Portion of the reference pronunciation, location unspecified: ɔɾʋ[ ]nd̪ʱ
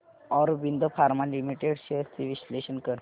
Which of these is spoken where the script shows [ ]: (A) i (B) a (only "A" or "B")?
A